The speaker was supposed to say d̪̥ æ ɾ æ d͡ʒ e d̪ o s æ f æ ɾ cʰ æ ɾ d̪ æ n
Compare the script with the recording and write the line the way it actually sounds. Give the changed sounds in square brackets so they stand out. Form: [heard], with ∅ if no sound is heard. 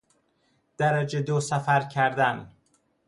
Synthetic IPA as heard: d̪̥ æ ɾ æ d͡ʒ e d̪ o s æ f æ ɾ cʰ æ ɾ d̪ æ n